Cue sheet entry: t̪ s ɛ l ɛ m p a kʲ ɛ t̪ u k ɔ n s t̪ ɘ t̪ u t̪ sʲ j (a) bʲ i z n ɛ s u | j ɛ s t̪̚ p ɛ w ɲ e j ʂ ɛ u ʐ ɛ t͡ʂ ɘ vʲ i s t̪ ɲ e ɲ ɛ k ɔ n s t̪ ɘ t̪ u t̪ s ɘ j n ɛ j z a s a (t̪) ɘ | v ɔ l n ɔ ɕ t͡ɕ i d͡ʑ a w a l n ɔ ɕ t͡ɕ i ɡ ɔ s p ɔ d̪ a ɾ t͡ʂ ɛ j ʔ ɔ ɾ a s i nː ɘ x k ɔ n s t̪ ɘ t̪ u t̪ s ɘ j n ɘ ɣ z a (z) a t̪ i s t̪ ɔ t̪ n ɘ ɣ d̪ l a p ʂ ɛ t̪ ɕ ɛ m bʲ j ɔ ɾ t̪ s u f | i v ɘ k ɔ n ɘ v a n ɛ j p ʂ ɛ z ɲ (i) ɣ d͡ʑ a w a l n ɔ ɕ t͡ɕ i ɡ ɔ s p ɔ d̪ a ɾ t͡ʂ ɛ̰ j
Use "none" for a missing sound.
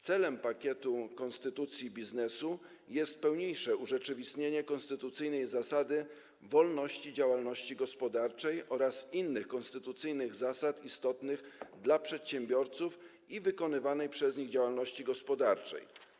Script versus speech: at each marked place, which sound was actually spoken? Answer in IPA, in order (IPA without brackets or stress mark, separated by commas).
i, d̪, s, i